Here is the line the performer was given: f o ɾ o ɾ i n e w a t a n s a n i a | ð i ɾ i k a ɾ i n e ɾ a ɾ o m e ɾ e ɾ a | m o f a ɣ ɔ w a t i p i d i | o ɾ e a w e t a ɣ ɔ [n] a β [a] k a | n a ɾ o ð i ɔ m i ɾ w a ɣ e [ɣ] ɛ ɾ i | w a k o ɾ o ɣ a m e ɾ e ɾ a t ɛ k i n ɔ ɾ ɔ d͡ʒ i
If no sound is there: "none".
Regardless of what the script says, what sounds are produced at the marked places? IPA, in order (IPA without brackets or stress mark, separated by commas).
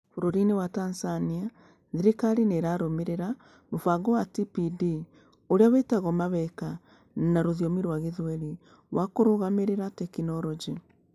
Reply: m, ɛ, ð